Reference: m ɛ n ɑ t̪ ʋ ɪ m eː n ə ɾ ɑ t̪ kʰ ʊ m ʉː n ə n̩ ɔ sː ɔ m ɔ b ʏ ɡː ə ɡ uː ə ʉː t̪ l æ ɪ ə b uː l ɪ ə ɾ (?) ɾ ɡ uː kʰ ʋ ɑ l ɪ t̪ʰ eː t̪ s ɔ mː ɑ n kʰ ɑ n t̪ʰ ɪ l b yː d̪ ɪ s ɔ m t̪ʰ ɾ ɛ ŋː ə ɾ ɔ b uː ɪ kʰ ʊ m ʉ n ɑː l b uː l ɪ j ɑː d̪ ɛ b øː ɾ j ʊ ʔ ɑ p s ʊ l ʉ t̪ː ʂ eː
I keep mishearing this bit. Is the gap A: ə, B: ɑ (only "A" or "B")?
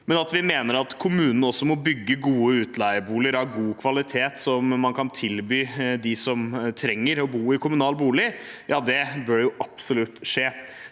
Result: B